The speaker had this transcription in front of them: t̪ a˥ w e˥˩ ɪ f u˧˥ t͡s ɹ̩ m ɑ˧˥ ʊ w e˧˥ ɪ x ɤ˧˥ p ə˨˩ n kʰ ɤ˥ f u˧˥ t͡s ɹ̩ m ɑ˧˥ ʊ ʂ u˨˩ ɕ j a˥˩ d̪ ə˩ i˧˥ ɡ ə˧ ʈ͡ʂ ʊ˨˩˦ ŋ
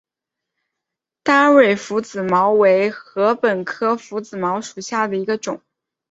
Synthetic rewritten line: t̪ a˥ w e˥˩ ɪ f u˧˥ t͡s ɹ̩ m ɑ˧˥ ʊ w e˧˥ ɪ x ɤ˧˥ p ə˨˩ n kʰ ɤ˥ f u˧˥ t͡s ɹ̩ m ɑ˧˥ ʊ ʂ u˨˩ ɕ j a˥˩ d̪ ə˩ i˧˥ ɡ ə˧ ʈ͡ʂ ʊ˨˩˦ ŋ